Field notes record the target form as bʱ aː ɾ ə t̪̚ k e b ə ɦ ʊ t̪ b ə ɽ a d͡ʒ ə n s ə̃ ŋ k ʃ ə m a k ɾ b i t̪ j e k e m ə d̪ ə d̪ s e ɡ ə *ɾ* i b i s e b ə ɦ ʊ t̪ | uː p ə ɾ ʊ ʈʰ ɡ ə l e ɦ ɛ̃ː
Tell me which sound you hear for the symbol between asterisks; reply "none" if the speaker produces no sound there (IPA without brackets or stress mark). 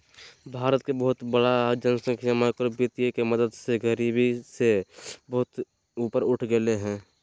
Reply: ɾ